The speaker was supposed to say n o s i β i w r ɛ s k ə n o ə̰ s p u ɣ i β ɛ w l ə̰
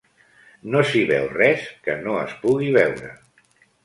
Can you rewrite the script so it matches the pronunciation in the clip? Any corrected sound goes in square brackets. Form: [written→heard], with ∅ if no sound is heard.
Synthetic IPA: n o s i β [i→ɛ] w r ɛ s k ə n o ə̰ s p u ɣ i β ɛ w [l→ɾ] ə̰

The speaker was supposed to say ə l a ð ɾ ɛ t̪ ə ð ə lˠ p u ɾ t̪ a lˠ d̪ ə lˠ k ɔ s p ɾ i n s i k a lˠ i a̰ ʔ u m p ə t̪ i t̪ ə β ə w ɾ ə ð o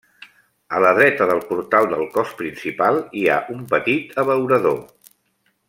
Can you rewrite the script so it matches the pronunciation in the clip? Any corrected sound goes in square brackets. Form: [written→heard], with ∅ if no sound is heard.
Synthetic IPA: ə l [a→ə] ð ɾ ɛ t̪ ə ð ə lˠ p u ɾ t̪ a lˠ d̪ ə lˠ k ɔ s p ɾ i n s i [k→p] a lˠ i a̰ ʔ u m p ə t̪ i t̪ ə β ə w ɾ ə ð o

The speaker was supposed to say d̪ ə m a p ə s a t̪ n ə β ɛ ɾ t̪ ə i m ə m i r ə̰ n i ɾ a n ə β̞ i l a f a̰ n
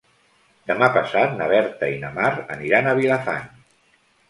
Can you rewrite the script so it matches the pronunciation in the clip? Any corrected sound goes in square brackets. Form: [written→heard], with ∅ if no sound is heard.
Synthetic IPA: d̪ ə m a p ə s a t̪ n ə β ɛ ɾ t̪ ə i [m→n] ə m [i→a] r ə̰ n i ɾ a n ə β̞ i l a f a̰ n

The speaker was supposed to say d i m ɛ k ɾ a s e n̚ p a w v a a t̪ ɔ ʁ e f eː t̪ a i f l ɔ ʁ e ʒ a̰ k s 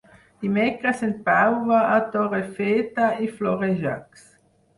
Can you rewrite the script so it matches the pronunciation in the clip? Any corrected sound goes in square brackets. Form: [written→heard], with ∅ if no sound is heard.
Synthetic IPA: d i m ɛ k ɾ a s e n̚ p a w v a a t̪ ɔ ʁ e f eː t̪ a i f l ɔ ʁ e ʒ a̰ k s

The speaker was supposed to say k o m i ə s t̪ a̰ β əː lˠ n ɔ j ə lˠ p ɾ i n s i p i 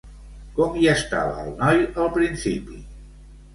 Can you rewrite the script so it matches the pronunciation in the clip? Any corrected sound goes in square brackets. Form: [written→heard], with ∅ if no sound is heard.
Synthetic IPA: k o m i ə s t̪ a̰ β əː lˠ n ɔ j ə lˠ p ɾ i n s i p i

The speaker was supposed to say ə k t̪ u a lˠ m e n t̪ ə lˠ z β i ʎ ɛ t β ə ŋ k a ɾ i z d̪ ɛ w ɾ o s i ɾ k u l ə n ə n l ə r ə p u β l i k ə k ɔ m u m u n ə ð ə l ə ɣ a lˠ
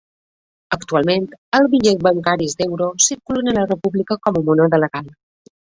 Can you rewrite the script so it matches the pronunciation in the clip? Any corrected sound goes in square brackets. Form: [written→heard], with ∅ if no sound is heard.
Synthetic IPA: ə k t̪ u a lˠ m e n t̪ ə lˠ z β i ʎ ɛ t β ə ŋ k a ɾ i z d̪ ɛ w ɾ o s i ɾ k u l ə n ə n l ə r ə p u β l i k ə k ɔ m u m u n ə ð ə l ə ɣ a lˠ

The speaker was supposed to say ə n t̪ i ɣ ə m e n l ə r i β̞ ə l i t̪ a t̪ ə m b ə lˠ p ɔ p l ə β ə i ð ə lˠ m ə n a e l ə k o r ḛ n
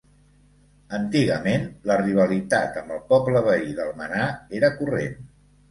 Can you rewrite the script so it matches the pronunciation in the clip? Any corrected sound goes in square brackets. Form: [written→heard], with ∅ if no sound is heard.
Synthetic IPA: ə n t̪ i ɣ ə m e n l ə r i β̞ ə l i t̪ a t̪ ə m b ə lˠ p ɔ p l ə β ə i ð ə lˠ m ə n a e [l→ɾ] ə k [o→u] r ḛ n

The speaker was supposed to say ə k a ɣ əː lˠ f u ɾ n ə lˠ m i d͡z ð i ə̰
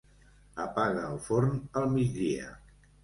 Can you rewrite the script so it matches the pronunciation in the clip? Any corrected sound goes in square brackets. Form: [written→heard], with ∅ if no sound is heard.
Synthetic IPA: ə [k→p] a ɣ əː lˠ f [u→o] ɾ n ə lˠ m i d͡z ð i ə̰

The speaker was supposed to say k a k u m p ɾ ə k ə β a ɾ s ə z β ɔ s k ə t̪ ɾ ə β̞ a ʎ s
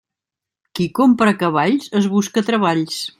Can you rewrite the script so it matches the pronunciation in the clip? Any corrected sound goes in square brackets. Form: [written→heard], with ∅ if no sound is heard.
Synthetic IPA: k [a→i] k [u→o] m p ɾ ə k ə β a [ɾ→ʎ] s ə z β [ɔ→u] s k ə t̪ ɾ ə β̞ a ʎ s

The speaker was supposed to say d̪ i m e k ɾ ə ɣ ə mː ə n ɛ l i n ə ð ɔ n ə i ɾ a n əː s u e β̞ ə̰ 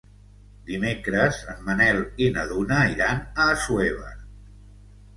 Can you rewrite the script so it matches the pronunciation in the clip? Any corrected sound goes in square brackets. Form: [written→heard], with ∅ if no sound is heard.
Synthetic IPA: d̪ i m e k ɾ ə [ɣ→z] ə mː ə n ɛ l i n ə ð [ɔ→u] n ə i ɾ a n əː s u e β̞ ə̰

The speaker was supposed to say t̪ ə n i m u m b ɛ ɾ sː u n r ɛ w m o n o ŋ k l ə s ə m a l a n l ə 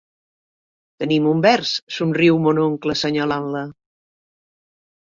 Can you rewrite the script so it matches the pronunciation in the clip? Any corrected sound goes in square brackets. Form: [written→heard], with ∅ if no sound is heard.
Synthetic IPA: t̪ ə n i m u m b ɛ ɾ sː u n r [ɛ→i] w m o n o ŋ k l ə s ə [m→ɲ] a l a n l ə

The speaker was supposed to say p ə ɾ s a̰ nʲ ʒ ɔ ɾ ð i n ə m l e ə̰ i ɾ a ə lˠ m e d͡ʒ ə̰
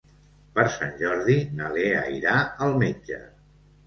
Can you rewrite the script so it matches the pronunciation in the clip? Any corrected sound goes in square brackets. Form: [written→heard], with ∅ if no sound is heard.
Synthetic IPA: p ə ɾ s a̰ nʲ ʒ ɔ ɾ ð i n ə [m→∅] l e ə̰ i ɾ a ə lˠ m e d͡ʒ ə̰

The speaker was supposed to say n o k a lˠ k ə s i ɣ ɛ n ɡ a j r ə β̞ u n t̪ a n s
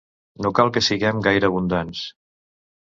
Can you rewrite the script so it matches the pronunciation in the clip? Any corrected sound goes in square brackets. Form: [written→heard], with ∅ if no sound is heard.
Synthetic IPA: n o k a lˠ k ə s i ɣ ɛ [n→m] ɡ a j [r→ɾ] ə β̞ u n [t̪→d̪] a n s

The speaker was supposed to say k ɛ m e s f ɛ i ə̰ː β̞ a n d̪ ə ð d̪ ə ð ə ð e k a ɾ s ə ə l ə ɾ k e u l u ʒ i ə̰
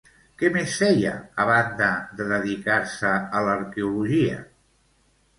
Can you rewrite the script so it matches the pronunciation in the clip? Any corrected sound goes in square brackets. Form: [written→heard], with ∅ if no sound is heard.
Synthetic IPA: k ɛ m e s f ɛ [i→j] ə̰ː β̞ a n d̪ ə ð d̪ ə ð ə ð [e→i] k a ɾ s ə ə l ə ɾ k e u l u ʒ i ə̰

